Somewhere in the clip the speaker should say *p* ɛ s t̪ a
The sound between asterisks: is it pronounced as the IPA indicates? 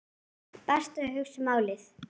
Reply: yes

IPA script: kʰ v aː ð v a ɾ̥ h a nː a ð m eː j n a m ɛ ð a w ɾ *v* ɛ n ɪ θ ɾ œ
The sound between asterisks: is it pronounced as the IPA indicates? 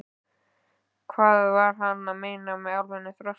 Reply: yes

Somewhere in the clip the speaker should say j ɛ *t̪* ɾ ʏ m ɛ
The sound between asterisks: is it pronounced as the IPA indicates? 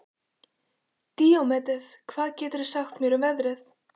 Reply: no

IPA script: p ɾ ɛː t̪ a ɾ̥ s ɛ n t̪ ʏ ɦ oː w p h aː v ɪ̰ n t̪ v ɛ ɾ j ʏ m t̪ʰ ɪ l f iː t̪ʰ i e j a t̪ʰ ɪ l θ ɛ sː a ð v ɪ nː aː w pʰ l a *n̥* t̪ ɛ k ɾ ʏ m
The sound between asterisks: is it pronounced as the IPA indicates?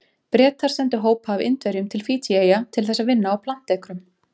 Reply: yes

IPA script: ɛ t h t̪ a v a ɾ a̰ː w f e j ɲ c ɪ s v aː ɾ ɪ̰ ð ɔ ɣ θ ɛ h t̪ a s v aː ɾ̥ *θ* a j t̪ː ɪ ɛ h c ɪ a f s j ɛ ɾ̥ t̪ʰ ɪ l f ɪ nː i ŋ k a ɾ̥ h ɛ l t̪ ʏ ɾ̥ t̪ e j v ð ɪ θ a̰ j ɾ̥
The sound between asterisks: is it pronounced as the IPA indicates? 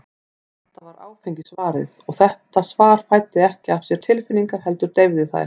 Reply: no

